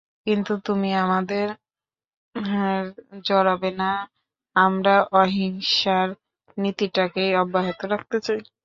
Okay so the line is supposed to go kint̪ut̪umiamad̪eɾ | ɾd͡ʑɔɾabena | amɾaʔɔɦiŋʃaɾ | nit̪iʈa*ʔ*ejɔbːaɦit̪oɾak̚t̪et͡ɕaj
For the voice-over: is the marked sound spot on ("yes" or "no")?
no